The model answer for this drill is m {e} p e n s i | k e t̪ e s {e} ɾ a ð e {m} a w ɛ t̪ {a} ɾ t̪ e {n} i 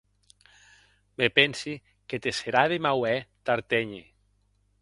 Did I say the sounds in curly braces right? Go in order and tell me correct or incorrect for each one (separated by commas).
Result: correct, correct, correct, correct, incorrect